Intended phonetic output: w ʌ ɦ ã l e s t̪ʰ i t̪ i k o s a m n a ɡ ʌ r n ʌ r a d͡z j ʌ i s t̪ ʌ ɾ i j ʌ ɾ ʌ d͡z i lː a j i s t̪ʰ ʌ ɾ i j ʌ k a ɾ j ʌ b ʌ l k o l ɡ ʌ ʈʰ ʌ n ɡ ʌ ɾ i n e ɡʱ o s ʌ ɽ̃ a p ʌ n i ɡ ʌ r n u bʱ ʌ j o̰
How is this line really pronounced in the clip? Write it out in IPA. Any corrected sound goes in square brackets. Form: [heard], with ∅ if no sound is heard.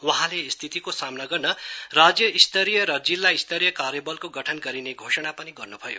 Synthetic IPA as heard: w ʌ ɦ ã l e s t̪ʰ i t̪ i k o s a m n a ɡ ʌ r n ʌ r a d͡z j ʌ i s t̪ ʌ ɾ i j ʌ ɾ ʌ d͡z i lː a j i s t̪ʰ ʌ ɾ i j ʌ k a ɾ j ʌ b ʌ l k o [∅] ɡ ʌ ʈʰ ʌ n ɡ ʌ ɾ i n e ɡʱ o s ʌ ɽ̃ a p ʌ n i ɡ ʌ r n u bʱ ʌ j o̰